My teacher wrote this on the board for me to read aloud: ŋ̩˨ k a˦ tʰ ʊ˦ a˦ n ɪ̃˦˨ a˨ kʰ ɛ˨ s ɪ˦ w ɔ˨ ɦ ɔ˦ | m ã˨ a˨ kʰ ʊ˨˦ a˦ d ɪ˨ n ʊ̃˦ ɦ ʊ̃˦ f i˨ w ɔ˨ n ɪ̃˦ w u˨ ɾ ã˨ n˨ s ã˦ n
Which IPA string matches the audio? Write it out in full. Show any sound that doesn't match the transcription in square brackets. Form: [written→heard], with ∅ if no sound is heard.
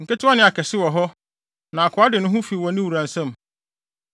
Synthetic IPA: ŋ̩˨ k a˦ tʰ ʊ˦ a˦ n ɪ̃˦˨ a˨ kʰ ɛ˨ s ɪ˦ w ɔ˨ ɦ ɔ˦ | [m→n] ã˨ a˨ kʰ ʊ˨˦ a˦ d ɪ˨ n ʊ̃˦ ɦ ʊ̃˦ f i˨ w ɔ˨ n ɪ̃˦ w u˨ ɾ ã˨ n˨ s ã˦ [n→m]